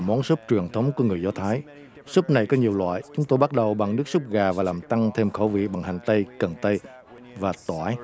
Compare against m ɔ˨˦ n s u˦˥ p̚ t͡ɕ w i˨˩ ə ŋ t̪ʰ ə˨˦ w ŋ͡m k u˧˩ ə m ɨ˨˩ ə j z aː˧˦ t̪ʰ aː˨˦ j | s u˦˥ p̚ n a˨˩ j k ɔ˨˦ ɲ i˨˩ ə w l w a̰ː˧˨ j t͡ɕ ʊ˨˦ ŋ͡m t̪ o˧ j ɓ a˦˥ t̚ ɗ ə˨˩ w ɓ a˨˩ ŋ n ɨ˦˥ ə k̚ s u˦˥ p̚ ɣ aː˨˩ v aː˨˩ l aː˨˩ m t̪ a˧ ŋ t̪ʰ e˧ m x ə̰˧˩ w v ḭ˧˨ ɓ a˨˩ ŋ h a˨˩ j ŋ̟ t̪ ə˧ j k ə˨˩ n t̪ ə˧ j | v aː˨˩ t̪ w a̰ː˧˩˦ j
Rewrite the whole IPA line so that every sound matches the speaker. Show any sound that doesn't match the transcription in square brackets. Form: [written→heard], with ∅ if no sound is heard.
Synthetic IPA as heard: m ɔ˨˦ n s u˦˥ p̚ t͡ɕ w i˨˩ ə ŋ t̪ʰ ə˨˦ w ŋ͡m k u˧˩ ə [m→ŋ] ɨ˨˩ ə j z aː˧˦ t̪ʰ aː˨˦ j | s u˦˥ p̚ n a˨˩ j k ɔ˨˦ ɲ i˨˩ ə w l w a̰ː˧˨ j t͡ɕ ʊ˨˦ ŋ͡m t̪ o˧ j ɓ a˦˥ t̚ ɗ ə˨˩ w ɓ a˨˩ ŋ n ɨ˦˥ ə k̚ s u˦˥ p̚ ɣ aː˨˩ v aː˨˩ l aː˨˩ m t̪ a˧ ŋ t̪ʰ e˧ m x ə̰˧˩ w v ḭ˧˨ ɓ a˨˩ ŋ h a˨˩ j ŋ̟ t̪ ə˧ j k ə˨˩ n t̪ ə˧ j | v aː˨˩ t̪ w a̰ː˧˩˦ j